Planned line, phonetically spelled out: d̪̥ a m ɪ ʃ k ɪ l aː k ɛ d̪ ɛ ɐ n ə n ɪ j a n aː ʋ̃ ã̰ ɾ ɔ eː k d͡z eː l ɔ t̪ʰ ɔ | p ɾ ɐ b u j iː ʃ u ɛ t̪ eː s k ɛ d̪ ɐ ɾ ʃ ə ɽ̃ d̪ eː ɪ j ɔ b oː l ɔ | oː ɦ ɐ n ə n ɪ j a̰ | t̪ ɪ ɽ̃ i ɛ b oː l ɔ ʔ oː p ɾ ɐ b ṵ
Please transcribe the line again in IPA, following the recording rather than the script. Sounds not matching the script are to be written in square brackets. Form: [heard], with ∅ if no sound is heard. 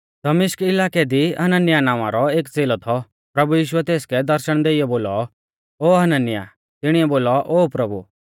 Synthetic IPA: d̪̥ [ɐ] m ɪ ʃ k ɪ l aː k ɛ d̪ [i] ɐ n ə n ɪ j a n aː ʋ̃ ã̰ ɾ ɔ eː k d͡z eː l ɔ t̪ʰ ɔ | p ɾ ɐ b u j iː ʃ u ɛ t̪ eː s k ɛ d̪ ɐ ɾ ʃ ə ɽ̃ d̪ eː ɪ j ɔ b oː l ɔ | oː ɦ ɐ n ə n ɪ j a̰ | t̪ ɪ ɽ̃ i ɛ b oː l ɔ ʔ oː p ɾ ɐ b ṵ

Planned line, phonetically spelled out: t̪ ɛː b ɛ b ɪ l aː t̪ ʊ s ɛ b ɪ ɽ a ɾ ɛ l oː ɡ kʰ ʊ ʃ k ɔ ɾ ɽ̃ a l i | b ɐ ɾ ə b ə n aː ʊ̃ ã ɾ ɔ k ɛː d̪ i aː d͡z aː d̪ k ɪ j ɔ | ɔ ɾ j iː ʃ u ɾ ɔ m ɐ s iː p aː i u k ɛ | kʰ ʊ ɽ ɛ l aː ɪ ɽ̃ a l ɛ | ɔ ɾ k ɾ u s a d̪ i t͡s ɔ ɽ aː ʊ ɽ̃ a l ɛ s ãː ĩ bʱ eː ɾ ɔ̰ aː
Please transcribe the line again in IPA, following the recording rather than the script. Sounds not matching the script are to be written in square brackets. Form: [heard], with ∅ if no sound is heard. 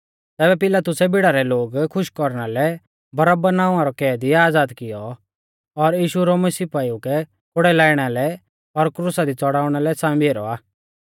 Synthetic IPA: t̪ ɛː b ɛ [p] ɪ l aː t̪ ʊ s ɛ b ɪ ɽ a ɾ ɛ l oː ɡ kʰ ʊ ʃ k ɔ ɾ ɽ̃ a l [ɛ] | b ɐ ɾ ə b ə n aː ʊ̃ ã ɾ ɔ k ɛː d̪ i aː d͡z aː d̪ k ɪ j ɔ | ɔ ɾ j iː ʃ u ɾ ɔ m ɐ s iː p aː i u k ɛ | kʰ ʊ ɽ ɛ l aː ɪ ɽ̃ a l ɛ | ɔ ɾ k ɾ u s a d̪ i t͡s ɔ ɽ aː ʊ ɽ̃ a l ɛ s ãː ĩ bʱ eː ɾ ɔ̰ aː

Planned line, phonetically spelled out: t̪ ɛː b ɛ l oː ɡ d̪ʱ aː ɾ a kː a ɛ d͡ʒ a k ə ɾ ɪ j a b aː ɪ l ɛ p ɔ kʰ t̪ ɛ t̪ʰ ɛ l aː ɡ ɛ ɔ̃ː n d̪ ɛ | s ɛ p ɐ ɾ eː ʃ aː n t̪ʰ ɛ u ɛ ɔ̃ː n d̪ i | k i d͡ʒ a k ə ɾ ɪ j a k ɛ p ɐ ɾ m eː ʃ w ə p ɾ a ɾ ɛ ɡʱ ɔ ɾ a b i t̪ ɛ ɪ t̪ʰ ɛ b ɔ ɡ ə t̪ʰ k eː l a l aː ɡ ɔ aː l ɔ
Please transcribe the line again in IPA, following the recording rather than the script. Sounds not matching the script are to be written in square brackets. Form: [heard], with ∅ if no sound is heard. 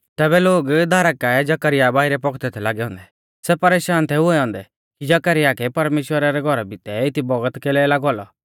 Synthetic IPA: t̪ ɛː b ɛ l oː ɡ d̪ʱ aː ɾ a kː a ɛ d͡ʒ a k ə ɾ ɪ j a b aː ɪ [ɾ] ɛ p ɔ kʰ t̪ ɛ t̪ʰ ɛ l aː ɡ ɛ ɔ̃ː n d̪ ɛ | s ɛ p ɐ ɾ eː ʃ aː n t̪ʰ ɛ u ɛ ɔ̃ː n d̪ [ɛ] | k i d͡ʒ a k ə ɾ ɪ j a k ɛ p ɐ ɾ m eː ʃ w ə [∅] ɾ a ɾ ɛ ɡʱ ɔ ɾ a b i t̪ ɛ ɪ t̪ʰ [i] b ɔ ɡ ə [t̪] k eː l [ɛ] l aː ɡ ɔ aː l ɔ

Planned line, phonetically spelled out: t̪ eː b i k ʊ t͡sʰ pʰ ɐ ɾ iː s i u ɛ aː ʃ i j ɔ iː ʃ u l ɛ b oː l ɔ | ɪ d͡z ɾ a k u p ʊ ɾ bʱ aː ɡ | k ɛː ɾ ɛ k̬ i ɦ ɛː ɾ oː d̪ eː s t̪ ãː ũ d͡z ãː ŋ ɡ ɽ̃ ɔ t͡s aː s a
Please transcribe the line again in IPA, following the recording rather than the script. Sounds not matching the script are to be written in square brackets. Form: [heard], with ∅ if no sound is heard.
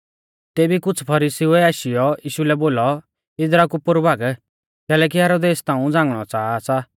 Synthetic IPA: t̪ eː b i k ʊ t͡sʰ pʰ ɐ ɾ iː s i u ɛ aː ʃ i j ɔ iː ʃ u l ɛ b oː l ɔ | ɪ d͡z ɾ a k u p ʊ ɾ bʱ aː ɡ | k ɛː [l] ɛ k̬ i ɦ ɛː ɾ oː d̪ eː s t̪ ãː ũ d͡z ãː ŋ ɡ ɽ̃ ɔ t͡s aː s a

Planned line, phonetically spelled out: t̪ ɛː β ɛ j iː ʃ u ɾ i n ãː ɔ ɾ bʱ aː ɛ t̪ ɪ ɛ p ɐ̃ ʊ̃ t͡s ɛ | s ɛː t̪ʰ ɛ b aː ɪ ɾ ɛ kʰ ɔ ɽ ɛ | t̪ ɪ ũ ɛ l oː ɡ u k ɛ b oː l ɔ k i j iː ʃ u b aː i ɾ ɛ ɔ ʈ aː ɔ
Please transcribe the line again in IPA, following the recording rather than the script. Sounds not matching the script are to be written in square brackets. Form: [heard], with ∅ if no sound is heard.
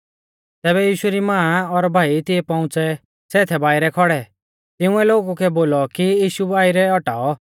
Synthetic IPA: t̪ ɛː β ɛ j iː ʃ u ɾ i [m] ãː ɔ ɾ bʱ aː [i] t̪ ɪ ɛ p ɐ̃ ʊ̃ t͡s ɛ | s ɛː t̪ʰ ɛ b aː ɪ ɾ ɛ kʰ ɔ ɽ ɛ | t̪ ɪ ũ ɛ l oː ɡ u k ɛ b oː l ɔ k i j iː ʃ u b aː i ɾ ɛ ɔ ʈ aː ɔ

